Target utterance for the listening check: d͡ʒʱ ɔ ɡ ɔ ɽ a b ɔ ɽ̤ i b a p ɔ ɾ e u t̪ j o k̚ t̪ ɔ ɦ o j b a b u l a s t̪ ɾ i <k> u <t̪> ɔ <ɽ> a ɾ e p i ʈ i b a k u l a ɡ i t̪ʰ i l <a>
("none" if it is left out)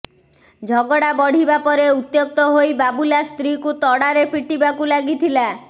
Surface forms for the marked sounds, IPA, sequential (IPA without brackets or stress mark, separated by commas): k, t̪, ɽ, a